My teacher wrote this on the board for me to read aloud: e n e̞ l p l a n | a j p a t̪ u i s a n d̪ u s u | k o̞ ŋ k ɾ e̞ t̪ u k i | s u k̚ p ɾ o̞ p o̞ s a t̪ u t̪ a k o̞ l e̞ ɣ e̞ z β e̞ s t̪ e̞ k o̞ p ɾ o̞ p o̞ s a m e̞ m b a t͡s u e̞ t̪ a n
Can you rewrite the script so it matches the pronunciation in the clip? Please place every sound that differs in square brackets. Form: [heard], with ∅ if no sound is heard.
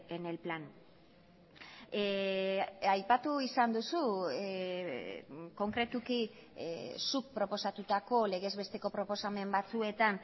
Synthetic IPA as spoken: e n e̞ l p l a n | a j p a t̪ u i s a n d̪ u s u | k o̞ ŋ k ɾ e̞ t̪ u k i | s u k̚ p ɾ o̞ p o̞ s a t̪ u t̪ a k o̞ l e̞ ɣ e̞ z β e̞ s t̪ e̞ k o̞ p ɾ o̞ p o̞ s a m e̞ m b a t͡s u e̞ t̪ a n